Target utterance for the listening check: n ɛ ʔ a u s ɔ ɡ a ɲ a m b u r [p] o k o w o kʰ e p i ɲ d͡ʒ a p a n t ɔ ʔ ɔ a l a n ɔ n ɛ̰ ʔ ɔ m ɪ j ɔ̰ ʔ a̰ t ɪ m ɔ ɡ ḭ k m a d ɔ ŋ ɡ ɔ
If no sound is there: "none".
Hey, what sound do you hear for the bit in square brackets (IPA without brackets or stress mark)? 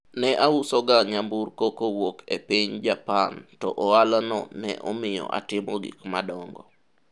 k